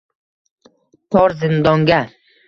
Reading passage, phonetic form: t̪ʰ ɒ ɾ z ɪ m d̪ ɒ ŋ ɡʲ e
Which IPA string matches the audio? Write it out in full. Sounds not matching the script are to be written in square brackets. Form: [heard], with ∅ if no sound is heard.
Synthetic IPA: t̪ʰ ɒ ɾ z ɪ [n] d̪ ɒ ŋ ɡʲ [a]

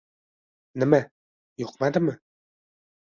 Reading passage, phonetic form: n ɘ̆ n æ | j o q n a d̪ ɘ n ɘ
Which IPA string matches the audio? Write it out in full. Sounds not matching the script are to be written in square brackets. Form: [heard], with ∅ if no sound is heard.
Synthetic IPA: n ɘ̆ [m] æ | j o q [m] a d̪ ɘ [m] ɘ

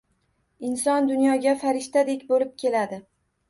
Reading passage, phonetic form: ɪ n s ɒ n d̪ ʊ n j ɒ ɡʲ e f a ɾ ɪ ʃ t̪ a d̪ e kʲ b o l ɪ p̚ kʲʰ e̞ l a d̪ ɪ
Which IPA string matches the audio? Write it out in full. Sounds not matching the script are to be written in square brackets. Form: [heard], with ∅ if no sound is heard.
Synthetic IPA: ɪ n s ɒ n d̪ ʊ n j ɒ ɡʲ [a] f a ɾ ɪ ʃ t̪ a d̪ e kʲ b o l ɪ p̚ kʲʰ e̞ l a d̪ ɪ

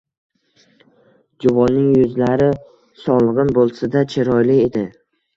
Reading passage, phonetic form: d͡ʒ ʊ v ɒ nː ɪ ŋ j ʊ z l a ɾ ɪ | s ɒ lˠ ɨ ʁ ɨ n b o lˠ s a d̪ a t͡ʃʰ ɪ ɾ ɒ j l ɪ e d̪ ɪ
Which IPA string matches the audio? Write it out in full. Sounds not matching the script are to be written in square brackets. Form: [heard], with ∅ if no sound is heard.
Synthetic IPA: d͡ʒ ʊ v ɒ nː ɪ ŋ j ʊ z l a ɾ ɪ | s ɒ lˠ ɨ ʁ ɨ n b o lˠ s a d̪ a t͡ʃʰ ɪ ɾ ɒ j l ɪ e d̪ ɪ

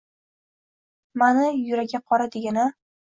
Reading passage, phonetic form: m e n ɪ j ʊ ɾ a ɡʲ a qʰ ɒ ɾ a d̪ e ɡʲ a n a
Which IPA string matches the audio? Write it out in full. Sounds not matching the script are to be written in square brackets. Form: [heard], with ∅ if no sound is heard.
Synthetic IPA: m [a] n ɪ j ʊ ɾ a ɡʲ a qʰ ɒ ɾ a d̪ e ɡʲ a n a

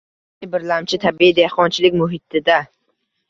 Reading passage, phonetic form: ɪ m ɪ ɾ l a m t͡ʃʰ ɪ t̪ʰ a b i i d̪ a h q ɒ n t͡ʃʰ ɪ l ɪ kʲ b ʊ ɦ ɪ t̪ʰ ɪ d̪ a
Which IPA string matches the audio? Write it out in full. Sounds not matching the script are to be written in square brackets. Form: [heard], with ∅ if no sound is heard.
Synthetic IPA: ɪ [b] ɪ ɾ l a m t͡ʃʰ ɪ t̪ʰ a b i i d̪ [e] h q ɒ n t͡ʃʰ ɪ l ɪ kʲ [m] ʊ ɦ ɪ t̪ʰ ɪ d̪ a

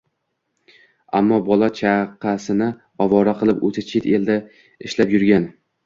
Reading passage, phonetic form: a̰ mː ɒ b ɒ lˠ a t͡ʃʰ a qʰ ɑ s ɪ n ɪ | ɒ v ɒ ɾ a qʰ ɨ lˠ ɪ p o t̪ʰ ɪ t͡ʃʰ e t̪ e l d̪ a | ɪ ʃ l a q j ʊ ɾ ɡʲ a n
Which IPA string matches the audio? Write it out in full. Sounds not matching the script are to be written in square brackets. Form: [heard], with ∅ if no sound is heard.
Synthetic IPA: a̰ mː ɒ b ɒ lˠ a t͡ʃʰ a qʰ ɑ s ɪ n ɪ | ɒ v ɒ ɾ a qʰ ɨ lˠ ɪ p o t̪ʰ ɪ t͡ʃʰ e t̪ e l d̪ a | ɪ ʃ l a [p] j ʊ ɾ ɡʲ a n

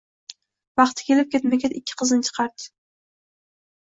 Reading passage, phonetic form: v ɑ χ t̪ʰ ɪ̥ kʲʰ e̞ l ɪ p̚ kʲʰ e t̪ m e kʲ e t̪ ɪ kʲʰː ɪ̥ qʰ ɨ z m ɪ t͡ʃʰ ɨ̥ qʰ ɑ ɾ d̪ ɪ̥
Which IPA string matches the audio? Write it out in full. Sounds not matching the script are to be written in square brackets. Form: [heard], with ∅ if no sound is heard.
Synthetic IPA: v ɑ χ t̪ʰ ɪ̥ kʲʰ e̞ l ɪ p̚ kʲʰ e t̪ m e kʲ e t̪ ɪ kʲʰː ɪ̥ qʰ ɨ z [n] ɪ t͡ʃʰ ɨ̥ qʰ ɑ ɾ d̪ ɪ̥

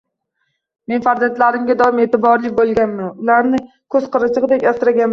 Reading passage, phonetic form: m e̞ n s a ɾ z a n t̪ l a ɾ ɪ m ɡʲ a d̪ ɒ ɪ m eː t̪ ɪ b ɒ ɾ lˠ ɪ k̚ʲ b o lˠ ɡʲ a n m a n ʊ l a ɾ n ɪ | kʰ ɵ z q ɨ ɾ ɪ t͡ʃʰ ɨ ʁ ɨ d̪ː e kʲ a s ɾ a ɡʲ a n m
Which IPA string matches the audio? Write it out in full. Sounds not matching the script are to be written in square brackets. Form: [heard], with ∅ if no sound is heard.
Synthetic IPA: m e̞ n [f] a ɾ z a n t̪ l a ɾ ɪ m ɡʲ a d̪ ɒ ɪ m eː t̪ ɪ b ɒ ɾ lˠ ɪ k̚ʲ b o lˠ ɡʲ a n m a n ʊ l a ɾ n ɪ | kʰ ɵ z q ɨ ɾ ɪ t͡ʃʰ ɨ ʁ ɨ [d̪] e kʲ a s ɾ a ɡʲ a n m

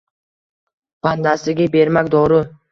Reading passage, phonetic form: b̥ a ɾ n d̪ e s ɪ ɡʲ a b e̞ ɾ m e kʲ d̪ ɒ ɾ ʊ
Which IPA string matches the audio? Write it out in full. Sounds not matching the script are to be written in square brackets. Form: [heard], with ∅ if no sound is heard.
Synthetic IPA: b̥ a [∅] n d̪ [a] s ɪ ɡʲ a b e̞ ɾ m [a] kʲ d̪ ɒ ɾ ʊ

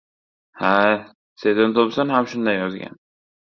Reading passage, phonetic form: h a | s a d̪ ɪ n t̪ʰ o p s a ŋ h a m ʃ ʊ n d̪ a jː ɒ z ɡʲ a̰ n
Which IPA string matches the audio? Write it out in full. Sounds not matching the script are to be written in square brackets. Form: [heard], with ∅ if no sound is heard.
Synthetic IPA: h a | s [e] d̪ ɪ n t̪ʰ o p s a [n] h a m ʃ ʊ n d̪ a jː ɒ z ɡʲ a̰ n

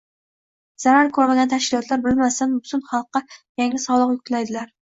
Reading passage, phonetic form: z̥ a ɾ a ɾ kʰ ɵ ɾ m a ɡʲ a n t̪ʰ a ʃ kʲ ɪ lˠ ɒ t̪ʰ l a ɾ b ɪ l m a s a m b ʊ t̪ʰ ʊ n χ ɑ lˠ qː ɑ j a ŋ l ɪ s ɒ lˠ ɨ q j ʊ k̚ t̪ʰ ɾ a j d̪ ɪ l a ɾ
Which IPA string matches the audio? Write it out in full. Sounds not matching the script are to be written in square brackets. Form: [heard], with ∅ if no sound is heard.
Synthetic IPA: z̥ a ɾ a ɾ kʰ ɵ ɾ m a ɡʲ a n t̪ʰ a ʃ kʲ ɪ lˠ ɒ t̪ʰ l a ɾ b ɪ l m a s a [n] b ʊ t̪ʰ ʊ n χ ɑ lˠ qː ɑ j a ŋ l ɪ s ɒ lˠ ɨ q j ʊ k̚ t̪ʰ [l] a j d̪ ɪ l a ɾ

